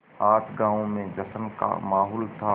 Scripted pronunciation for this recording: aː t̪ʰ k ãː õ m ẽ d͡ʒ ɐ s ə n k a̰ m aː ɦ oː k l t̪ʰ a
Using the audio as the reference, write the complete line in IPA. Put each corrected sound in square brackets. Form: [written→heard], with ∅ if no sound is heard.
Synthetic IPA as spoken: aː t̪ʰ [k→ɡ] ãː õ m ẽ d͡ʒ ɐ s ə n k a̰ m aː ɦ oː [k→∅] l t̪ʰ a

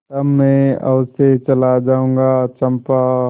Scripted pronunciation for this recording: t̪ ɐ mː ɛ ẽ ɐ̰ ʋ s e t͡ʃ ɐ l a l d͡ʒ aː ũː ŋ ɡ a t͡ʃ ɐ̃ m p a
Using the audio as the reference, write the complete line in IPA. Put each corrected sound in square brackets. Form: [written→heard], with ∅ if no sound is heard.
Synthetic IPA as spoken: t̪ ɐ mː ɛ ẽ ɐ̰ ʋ s e t͡ʃ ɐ l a [l→∅] d͡ʒ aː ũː ŋ ɡ a t͡ʃ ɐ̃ m p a

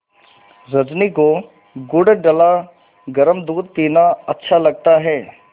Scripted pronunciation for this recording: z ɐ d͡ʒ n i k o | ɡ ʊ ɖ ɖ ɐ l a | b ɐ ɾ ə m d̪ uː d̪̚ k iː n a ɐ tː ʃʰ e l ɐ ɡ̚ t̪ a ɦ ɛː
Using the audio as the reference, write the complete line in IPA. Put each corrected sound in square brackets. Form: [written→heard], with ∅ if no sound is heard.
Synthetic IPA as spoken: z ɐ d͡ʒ n i k o | ɡ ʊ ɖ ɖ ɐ l a | [b→ɡ] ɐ ɾ ə m d̪ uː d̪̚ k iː n a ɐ tː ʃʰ [e→a] l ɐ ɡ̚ t̪ a ɦ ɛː

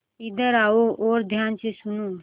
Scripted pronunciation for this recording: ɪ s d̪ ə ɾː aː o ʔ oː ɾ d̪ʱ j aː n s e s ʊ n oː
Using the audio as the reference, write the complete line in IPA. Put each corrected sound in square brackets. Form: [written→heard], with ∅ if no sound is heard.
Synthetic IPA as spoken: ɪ [s→∅] d̪ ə [ɾː→ɾ] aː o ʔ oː ɾ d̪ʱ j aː n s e s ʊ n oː

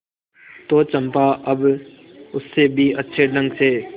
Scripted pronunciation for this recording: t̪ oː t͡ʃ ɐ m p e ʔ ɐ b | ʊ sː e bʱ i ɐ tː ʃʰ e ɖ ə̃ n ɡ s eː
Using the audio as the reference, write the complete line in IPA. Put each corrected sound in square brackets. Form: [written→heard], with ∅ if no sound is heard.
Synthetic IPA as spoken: t̪ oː t͡ʃ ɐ m p [e→a] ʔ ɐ b | ʊ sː e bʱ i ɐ tː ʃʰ e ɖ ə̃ [n→ŋ] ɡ s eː

